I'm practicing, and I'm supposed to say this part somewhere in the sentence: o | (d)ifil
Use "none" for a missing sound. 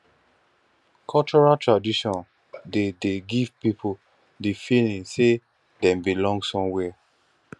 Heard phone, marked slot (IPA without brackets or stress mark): d